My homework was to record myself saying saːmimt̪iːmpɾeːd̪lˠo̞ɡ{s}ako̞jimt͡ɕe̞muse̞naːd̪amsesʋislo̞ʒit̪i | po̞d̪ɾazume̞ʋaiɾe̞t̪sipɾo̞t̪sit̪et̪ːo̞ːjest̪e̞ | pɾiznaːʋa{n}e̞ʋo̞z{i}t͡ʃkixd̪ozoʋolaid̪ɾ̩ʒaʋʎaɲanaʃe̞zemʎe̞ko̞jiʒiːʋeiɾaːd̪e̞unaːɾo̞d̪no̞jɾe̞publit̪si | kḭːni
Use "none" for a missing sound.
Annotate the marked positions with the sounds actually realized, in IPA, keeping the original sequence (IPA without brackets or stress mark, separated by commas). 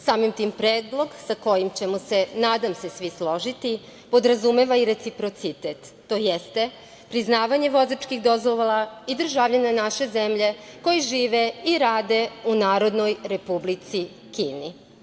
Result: s, ɲ, a